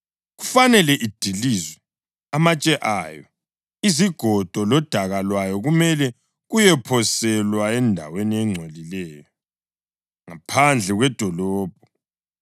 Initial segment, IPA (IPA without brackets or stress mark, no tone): ɣ